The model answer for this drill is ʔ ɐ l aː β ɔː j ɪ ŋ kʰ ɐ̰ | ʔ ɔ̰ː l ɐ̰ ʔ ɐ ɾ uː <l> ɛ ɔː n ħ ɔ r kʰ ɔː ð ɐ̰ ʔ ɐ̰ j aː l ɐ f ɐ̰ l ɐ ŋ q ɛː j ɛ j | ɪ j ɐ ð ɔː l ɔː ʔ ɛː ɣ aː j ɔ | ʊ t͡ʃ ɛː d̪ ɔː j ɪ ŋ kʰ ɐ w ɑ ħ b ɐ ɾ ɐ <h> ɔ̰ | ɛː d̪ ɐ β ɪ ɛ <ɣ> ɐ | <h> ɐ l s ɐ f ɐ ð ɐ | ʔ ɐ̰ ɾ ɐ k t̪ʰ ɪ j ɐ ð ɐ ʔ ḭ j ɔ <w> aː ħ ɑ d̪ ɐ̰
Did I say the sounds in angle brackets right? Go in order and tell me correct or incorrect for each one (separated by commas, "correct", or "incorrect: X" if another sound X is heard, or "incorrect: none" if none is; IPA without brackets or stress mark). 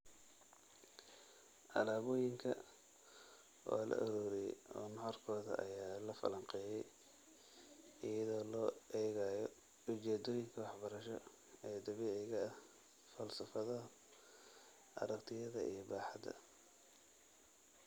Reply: incorrect: ɾ, incorrect: ʃ, correct, incorrect: f, incorrect: b